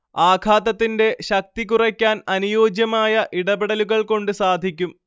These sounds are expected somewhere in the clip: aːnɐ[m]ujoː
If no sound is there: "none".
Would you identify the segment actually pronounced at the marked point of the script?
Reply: n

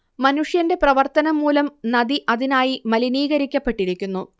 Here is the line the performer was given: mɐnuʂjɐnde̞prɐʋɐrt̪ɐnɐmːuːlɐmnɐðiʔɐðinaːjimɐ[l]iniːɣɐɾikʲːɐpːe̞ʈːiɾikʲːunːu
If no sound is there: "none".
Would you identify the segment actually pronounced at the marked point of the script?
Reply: l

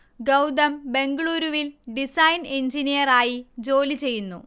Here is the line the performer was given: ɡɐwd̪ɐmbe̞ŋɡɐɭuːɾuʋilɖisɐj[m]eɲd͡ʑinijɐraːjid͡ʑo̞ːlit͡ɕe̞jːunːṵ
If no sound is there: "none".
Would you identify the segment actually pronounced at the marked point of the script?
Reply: n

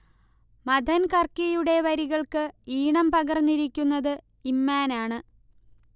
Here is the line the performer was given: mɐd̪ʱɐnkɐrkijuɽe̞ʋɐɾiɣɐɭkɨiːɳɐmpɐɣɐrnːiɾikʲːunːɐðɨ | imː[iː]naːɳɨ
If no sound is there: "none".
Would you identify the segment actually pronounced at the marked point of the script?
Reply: aː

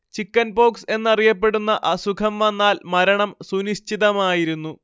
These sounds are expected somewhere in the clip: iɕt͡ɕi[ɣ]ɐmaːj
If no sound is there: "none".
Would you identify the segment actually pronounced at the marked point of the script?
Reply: ð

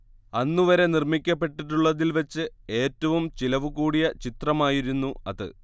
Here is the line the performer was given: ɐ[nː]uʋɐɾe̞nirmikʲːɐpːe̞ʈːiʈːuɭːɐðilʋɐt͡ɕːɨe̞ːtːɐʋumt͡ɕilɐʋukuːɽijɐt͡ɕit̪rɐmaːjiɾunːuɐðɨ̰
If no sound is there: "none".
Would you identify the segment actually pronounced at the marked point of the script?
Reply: nː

